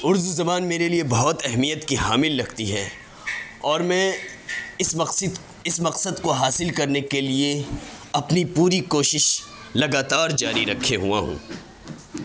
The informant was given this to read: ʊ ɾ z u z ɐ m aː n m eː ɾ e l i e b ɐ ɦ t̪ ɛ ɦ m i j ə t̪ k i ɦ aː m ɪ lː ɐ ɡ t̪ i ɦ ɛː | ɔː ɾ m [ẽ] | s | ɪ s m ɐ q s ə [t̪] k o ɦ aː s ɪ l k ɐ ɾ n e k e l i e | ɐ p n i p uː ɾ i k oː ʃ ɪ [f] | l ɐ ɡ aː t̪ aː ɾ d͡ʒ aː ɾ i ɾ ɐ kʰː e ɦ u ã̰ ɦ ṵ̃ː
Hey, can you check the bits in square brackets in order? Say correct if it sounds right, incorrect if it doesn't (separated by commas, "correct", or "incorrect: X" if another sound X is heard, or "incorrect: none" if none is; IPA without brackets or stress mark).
incorrect: ɛ̃, incorrect: d̪, incorrect: ʃ